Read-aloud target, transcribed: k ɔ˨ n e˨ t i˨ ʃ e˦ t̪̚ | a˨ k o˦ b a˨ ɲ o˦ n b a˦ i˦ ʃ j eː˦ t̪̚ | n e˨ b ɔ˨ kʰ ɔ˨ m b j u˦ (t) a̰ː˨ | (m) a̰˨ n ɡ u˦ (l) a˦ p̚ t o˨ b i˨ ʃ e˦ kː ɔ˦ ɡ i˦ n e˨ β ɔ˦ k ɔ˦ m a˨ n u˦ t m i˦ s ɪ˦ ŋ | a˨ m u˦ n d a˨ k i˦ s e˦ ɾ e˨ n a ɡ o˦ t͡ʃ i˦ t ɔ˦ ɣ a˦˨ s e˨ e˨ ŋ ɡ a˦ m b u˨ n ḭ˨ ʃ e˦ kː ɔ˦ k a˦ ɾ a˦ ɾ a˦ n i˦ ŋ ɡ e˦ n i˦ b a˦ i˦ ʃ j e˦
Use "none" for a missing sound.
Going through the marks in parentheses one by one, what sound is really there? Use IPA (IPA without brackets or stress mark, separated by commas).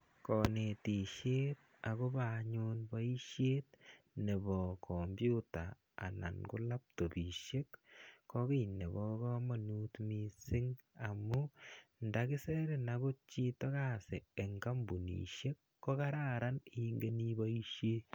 t, n, l